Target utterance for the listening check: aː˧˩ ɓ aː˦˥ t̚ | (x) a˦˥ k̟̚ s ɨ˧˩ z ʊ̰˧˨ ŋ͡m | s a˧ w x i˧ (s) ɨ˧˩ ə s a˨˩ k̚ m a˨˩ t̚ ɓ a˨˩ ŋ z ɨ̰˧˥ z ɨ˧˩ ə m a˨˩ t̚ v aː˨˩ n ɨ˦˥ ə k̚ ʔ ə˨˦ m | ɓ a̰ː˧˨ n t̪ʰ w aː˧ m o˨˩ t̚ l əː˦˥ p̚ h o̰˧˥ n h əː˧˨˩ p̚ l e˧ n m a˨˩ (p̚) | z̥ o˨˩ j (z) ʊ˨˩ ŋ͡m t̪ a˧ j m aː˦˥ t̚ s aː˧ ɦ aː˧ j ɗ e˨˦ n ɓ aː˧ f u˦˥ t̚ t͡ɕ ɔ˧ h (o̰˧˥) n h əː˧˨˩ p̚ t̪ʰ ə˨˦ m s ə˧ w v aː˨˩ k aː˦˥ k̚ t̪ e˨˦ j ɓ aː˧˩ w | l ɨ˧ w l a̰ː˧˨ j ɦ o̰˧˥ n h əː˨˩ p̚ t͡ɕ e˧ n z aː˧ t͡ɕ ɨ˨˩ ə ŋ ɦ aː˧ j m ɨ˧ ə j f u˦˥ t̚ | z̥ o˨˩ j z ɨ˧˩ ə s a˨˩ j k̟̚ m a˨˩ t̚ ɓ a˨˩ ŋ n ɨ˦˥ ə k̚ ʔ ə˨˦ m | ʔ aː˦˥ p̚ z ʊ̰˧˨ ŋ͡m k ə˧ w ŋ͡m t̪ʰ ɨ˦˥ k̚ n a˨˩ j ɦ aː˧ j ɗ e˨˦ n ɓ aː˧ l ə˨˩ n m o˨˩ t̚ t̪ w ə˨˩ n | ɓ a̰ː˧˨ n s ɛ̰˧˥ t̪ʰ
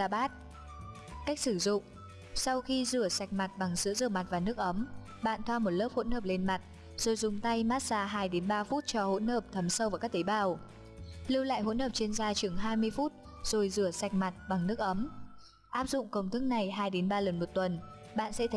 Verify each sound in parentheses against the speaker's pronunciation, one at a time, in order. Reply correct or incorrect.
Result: incorrect: k, incorrect: z, incorrect: t̚, correct, correct

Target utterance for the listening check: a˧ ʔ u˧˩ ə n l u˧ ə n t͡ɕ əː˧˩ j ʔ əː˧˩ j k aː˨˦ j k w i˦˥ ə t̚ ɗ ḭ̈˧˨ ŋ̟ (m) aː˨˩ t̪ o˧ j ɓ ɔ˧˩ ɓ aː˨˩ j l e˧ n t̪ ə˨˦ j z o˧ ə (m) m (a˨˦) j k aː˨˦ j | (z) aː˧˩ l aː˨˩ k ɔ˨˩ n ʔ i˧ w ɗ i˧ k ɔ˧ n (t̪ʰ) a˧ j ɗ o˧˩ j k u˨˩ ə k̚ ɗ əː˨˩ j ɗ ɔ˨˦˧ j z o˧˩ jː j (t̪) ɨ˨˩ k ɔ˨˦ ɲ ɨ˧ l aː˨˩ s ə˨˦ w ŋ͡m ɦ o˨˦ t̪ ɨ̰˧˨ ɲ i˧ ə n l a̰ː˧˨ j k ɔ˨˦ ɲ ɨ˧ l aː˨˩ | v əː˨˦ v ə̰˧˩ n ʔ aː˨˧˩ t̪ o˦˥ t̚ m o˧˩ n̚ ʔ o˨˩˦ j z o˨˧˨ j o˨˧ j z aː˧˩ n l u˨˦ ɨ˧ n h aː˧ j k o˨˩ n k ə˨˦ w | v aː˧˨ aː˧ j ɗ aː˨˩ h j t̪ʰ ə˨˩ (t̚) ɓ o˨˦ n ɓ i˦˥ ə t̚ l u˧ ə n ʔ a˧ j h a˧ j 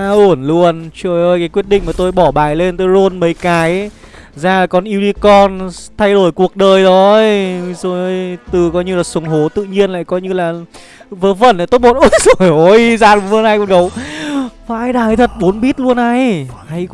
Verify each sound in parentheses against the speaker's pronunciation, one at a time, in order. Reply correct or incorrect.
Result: correct, incorrect: n, incorrect: ə˨˦, correct, correct, correct, correct

